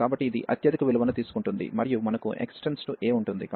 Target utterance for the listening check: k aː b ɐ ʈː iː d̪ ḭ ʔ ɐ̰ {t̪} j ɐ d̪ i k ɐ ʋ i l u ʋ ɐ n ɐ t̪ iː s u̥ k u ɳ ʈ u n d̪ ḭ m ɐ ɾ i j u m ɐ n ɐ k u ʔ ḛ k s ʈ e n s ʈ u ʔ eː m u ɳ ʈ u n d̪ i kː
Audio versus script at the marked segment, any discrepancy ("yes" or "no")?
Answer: no